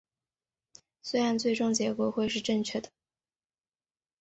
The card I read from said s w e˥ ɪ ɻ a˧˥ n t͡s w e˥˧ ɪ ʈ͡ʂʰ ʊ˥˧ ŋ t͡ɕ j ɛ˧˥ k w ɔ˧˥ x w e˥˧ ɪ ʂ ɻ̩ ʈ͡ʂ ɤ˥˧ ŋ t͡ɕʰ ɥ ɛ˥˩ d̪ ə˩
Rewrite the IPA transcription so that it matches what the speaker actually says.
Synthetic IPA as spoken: s w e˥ ɪ ɻ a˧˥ n t͡s w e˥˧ ɪ ʈ͡ʂ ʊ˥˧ ŋ t͡ɕ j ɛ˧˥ k w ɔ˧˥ x w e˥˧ ɪ ʂ ɻ̩ ʈ͡ʂ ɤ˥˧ ŋ t͡ɕʰ ɥ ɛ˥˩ d̪ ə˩